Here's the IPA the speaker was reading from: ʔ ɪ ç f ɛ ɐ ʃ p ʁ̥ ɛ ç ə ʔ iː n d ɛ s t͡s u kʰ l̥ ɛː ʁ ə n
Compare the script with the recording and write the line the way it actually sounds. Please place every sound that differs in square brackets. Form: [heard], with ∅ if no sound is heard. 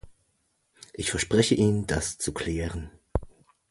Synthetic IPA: ʔ ɪ ç f ɛ ɐ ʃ p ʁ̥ ɛ ç ə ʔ iː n d [a] s t͡s u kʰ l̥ ɛː ʁ ə n